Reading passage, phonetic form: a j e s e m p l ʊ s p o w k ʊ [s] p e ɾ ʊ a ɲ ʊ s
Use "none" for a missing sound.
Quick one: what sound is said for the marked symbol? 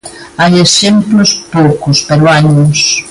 s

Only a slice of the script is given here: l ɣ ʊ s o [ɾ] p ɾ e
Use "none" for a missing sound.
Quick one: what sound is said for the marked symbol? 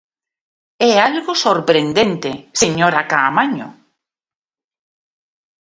ɾ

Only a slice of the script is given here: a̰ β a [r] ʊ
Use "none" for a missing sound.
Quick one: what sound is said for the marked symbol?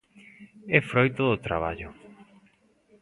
ʎ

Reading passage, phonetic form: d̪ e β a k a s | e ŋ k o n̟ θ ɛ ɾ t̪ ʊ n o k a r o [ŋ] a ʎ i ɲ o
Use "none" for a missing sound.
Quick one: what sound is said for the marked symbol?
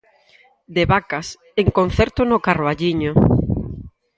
none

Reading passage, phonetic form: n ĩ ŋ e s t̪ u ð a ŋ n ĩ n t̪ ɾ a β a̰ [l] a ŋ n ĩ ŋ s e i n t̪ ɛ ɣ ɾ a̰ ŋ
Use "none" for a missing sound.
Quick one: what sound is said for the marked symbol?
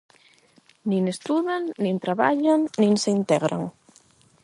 ʎ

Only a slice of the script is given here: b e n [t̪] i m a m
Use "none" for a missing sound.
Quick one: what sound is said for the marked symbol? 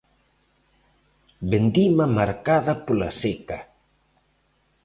d̪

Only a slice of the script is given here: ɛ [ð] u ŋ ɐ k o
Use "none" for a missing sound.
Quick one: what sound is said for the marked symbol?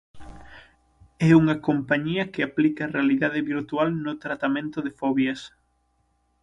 none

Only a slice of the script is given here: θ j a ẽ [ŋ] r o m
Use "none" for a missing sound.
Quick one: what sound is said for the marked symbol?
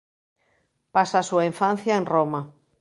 n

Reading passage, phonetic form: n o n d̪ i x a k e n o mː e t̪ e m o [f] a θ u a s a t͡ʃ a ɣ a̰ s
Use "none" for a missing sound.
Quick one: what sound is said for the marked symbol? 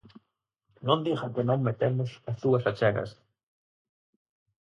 s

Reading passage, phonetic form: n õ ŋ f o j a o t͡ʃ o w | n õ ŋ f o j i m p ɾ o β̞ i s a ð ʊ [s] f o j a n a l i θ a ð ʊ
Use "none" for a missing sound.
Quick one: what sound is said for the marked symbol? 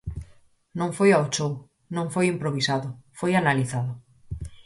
none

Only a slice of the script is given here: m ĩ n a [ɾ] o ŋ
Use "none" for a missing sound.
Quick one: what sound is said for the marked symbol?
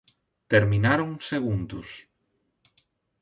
ɾ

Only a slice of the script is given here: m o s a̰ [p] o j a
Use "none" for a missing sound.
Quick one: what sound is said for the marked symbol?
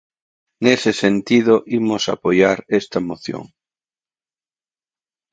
p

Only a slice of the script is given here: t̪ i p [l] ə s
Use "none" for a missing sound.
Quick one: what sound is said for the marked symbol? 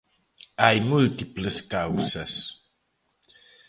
l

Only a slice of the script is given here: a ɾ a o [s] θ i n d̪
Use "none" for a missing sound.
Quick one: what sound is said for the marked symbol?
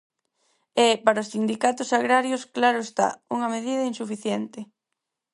s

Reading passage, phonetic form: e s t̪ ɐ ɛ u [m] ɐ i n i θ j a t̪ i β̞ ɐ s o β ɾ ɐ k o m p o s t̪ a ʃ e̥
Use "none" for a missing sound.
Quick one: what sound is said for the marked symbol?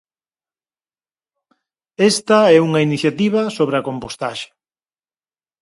ŋ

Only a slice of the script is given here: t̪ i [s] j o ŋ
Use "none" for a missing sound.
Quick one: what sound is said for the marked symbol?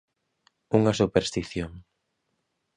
θ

